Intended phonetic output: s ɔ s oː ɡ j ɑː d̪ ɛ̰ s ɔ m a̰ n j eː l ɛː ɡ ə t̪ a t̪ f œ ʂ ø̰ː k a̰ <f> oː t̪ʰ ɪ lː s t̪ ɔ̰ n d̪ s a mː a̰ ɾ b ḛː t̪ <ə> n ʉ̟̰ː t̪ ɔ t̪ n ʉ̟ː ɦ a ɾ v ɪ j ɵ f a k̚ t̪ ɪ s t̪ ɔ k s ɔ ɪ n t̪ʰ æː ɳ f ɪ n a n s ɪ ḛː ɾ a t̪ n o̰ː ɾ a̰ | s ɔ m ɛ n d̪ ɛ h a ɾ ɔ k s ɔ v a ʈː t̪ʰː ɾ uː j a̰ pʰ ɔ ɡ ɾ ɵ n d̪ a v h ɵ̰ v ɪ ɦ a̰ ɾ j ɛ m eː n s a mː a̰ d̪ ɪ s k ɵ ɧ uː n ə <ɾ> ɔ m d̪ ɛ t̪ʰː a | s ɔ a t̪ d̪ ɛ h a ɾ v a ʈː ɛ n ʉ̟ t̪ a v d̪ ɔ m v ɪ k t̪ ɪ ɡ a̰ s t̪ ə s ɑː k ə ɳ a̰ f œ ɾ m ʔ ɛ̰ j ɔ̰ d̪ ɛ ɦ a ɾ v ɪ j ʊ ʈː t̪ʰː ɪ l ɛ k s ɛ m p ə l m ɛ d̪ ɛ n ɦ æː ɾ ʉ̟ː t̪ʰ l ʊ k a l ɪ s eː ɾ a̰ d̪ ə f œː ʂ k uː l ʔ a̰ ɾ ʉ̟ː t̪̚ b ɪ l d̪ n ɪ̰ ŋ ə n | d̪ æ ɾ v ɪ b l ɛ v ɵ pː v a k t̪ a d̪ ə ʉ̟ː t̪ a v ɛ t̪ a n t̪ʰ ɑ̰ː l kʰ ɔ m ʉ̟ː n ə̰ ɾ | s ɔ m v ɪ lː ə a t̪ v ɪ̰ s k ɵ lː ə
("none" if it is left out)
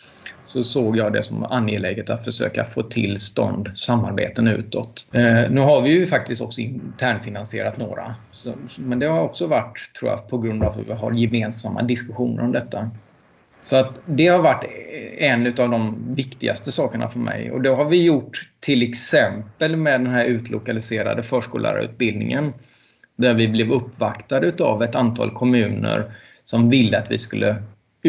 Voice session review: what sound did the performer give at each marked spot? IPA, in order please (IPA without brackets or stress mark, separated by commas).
f, ə, ɾ